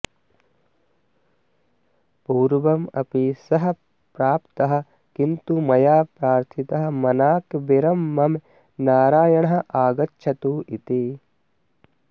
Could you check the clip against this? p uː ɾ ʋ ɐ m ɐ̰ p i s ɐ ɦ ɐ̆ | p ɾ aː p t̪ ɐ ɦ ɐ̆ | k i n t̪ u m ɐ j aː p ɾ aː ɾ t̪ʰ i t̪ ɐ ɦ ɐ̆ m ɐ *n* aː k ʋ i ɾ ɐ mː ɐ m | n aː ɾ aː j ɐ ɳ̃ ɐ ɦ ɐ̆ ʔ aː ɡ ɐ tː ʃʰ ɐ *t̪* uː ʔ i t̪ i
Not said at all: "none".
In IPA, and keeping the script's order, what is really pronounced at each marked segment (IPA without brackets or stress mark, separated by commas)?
n, t̪